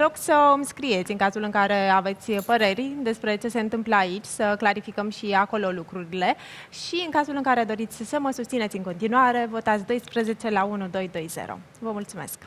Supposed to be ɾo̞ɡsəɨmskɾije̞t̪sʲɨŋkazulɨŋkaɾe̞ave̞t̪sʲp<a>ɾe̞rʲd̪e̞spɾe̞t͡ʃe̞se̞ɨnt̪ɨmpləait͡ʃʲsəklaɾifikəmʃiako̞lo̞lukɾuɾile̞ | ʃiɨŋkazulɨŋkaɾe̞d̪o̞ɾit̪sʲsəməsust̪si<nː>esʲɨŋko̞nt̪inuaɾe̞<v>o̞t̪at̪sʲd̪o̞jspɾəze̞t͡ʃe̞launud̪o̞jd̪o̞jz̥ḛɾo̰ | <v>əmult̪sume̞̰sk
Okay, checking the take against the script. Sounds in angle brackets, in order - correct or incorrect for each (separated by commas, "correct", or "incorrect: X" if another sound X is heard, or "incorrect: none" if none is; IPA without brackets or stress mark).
incorrect: ə, incorrect: n, correct, correct